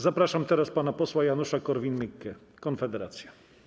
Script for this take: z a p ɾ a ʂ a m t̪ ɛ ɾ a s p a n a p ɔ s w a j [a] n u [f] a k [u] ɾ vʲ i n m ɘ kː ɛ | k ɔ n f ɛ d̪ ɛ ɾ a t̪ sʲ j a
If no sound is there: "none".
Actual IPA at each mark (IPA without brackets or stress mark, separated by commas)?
a, ʂ, ɔ